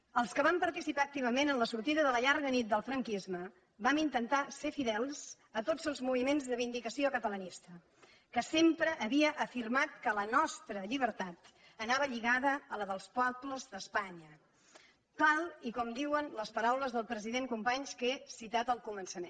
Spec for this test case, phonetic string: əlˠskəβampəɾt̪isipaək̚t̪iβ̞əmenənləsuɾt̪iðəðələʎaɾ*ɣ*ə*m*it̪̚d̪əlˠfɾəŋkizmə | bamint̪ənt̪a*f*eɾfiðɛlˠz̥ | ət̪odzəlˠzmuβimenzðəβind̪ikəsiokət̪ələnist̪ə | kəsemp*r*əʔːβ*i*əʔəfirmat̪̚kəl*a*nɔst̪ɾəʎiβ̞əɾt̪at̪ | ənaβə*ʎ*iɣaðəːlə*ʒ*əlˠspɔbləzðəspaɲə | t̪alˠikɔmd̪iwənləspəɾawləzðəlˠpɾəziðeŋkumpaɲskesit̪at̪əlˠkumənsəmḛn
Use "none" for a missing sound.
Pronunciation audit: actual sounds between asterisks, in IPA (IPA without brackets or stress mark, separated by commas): ɣ, n, s, ɾ, i, ə, ʎ, ð